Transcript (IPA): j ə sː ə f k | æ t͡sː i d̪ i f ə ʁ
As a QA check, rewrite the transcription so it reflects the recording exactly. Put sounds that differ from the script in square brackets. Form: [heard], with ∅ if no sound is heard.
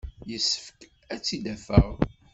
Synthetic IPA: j ə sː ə f k | æ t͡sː i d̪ [æ] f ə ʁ